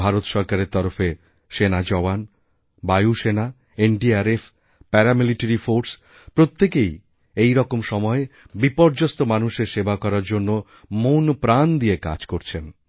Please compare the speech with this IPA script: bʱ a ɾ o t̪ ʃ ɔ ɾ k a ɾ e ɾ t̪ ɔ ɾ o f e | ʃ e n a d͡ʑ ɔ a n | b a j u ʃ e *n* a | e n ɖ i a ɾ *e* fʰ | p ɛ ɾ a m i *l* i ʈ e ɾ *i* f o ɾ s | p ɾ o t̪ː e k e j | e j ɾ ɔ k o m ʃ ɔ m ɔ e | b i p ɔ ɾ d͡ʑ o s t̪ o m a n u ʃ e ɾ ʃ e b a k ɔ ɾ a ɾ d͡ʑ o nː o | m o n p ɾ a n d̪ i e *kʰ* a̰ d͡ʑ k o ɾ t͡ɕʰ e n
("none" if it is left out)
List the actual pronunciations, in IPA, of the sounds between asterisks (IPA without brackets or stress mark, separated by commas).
n, e, l, i, k